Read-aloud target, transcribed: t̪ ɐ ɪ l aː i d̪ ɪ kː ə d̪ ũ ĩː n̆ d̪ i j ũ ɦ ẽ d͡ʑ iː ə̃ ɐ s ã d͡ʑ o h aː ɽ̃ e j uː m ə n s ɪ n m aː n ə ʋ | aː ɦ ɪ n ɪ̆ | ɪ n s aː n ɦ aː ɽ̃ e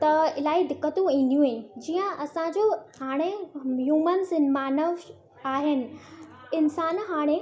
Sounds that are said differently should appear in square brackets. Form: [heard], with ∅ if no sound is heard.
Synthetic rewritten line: t̪ ɐ ɪ l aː i d̪ ɪ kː ə [t̪] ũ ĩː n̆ d̪ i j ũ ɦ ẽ d͡ʑ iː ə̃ ɐ s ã d͡ʑ o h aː ɽ̃ e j uː m ə n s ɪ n m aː n ə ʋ | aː ɦ ɪ n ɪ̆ | ɪ n s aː n ɦ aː ɽ̃ e

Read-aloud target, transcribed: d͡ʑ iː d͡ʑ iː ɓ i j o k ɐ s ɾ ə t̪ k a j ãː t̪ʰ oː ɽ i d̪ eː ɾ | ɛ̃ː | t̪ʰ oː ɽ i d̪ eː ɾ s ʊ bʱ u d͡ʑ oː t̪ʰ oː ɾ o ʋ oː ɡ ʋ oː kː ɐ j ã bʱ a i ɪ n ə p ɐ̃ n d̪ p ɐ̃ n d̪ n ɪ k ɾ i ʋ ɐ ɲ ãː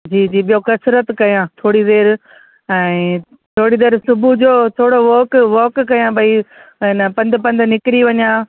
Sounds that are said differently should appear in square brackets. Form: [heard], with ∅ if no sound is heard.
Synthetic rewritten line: d͡ʑ iː d͡ʑ iː ɓ i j o k ɐ s ɾ ə t̪ k [ɐ] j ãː t̪ʰ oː ɽ i d̪ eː ɾ | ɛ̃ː | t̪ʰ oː ɽ i d̪ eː ɾ s ʊ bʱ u d͡ʑ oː t̪ʰ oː [ɽ] o ʋ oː [k] ʋ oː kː ɐ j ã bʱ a i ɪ n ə p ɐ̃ n d̪ p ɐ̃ n d̪ n ɪ k ɾ i ʋ ɐ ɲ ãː

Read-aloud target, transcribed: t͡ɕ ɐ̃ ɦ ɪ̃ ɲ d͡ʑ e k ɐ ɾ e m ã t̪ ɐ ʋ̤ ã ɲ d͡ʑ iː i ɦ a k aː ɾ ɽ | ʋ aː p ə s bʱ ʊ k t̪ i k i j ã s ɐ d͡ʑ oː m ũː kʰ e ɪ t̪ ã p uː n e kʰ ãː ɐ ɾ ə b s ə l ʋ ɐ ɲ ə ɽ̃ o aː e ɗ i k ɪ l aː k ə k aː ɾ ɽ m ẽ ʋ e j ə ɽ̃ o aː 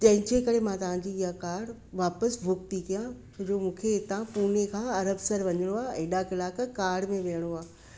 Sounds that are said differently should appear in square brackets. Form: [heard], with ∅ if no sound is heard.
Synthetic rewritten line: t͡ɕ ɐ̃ ɦ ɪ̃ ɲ d͡ʑ e k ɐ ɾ e m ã t̪ ɐ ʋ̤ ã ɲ d͡ʑ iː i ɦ a k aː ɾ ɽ | ʋ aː p ə s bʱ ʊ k t̪ i k i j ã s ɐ d͡ʑ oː m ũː kʰ e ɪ t̪ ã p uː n e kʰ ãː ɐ ɾ ə b s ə [ɾ] ʋ ɐ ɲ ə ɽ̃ o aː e ɗ [a] k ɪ l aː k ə k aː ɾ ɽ m ẽ ʋ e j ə ɽ̃ o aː

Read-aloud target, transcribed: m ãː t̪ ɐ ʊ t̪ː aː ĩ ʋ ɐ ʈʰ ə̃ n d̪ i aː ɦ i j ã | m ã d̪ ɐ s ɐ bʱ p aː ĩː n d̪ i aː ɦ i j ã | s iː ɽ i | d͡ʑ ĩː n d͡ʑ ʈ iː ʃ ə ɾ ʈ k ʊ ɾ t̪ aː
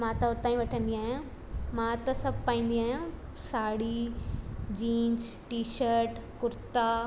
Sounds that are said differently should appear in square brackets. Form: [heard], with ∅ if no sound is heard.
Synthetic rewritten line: m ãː t̪ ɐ ʊ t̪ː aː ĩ ʋ ɐ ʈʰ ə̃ n d̪ i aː ɦ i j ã | m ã [t̪] ɐ s ɐ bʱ p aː ĩː n d̪ i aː ɦ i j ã | s [aː] ɽ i | d͡ʑ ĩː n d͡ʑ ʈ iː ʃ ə ɾ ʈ k ʊ ɾ t̪ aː

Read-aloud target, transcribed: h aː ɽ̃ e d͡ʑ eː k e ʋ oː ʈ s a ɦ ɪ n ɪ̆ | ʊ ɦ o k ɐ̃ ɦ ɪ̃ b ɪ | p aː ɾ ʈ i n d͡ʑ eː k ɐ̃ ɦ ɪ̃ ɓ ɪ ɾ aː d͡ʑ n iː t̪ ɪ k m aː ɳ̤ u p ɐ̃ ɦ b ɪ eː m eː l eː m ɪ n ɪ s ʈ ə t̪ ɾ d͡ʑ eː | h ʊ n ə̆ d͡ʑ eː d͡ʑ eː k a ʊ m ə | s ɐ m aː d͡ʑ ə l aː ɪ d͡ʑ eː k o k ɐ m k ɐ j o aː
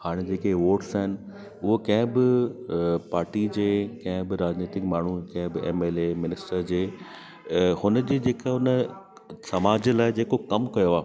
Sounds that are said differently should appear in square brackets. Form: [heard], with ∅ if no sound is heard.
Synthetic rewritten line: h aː ɽ̃ e d͡ʑ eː k e ʋ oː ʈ s a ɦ ɪ n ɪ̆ | ʊ ɦ o k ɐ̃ ɦ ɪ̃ b ɪ | p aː ɾ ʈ i [∅] d͡ʑ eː k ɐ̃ ɦ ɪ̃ [b] ɪ ɾ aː d͡ʑ n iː t̪ ɪ k m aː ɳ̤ u [k] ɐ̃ ɦ b ɪ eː m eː l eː m ɪ n ɪ s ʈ ə [∅] ɾ d͡ʑ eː | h ʊ n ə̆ d͡ʑ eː d͡ʑ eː k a ʊ [n] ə | s ɐ m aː d͡ʑ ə l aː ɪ d͡ʑ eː k o k ɐ m k ɐ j o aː

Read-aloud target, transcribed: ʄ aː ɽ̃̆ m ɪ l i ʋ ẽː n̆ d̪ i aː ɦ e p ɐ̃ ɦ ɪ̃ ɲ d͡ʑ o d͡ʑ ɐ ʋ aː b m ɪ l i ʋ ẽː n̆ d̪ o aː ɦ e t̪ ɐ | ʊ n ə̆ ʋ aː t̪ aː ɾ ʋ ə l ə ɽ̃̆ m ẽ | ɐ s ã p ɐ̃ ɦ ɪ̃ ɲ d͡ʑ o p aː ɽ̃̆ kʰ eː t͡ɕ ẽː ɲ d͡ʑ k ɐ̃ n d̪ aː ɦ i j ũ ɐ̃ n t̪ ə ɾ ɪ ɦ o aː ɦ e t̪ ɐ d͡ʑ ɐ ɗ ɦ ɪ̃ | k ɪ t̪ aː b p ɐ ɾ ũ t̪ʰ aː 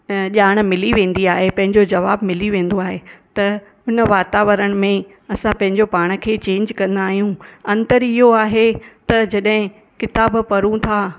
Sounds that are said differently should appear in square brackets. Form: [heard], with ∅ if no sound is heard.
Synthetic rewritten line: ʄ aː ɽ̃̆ m ɪ l i ʋ ẽː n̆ d̪ i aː ɦ e p ɐ̃ ɦ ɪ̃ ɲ d͡ʑ o d͡ʑ ɐ ʋ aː b m ɪ l i ʋ ẽː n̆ d̪ o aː ɦ e t̪ ɐ | ʊ n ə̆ ʋ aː t̪ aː [∅] ʋ ə [ɾ] ə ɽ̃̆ m ẽ | ɐ s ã p ɐ̃ ɦ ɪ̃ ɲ d͡ʑ o p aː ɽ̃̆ kʰ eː t͡ɕ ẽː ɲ d͡ʑ k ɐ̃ n d̪ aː ɦ i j ũ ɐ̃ n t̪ ə ɾ ɪ ɦ o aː ɦ e t̪ ɐ d͡ʑ ɐ ɗ ɦ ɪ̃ | k ɪ t̪ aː b p ɐ ɾ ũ t̪ʰ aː

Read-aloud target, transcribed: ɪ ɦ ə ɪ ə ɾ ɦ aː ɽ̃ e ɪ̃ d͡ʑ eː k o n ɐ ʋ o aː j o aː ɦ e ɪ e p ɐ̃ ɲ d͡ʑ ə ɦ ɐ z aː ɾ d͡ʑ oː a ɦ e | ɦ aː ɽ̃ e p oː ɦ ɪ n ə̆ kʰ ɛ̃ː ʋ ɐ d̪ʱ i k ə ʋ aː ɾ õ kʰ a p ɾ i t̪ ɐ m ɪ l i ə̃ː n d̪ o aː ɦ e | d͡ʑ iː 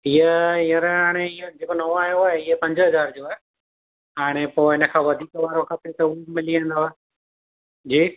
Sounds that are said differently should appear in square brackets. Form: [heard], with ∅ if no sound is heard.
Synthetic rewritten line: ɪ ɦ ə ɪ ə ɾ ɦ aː ɽ̃ e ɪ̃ d͡ʑ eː k o n ɐ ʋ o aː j o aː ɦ e ɪ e p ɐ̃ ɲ d͡ʑ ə ɦ ɐ z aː ɾ d͡ʑ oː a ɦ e | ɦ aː ɽ̃ e p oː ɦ ɪ n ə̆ kʰ [ãː] ʋ ɐ d̪ʱ [iː] k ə ʋ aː ɾ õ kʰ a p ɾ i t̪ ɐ m ɪ l i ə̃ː n d̪ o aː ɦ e | d͡ʑ iː

